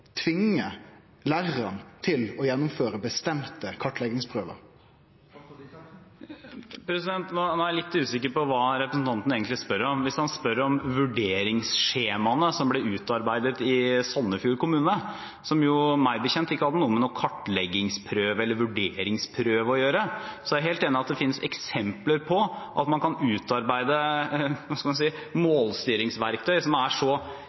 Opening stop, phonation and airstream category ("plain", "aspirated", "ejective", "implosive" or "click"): aspirated